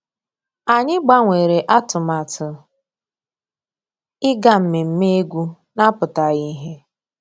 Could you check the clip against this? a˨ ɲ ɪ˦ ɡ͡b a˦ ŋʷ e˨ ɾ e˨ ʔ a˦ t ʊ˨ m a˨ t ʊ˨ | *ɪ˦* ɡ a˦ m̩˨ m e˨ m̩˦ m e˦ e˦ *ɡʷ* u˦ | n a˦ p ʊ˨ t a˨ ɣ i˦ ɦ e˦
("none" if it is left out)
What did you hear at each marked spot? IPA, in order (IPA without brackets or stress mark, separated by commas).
ɪ˦, ɡʷ